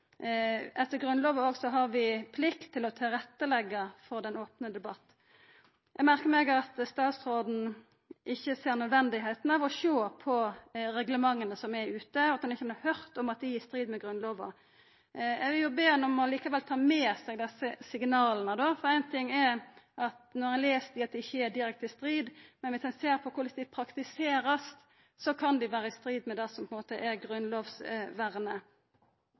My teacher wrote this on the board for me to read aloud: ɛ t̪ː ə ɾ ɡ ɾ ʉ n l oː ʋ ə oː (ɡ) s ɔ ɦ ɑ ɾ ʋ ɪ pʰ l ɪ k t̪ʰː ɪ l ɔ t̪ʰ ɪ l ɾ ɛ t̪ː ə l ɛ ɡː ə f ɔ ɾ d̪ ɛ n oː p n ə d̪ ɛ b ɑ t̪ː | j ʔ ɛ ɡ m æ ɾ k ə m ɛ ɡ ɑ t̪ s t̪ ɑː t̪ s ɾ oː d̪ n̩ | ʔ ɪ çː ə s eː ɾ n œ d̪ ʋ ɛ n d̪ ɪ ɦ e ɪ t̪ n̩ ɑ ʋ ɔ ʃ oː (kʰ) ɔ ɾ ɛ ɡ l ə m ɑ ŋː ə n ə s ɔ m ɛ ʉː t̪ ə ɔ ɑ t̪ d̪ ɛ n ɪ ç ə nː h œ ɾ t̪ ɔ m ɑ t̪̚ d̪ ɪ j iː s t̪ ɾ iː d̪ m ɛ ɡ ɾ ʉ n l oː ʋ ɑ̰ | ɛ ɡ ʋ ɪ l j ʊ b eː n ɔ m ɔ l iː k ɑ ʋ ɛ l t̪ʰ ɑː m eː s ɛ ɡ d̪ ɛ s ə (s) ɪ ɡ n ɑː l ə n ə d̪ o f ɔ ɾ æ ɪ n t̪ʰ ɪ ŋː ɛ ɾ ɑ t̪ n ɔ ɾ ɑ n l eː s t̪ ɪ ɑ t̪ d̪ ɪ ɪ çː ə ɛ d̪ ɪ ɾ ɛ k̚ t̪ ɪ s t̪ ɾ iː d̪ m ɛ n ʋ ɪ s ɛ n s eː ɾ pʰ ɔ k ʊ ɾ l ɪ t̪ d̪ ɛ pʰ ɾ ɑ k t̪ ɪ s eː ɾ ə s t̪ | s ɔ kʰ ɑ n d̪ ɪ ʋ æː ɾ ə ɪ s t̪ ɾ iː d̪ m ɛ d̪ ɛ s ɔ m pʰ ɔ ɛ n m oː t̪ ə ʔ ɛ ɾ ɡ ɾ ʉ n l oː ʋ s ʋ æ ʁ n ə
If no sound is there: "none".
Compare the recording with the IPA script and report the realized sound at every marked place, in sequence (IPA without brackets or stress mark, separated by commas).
ɡ, pʰ, s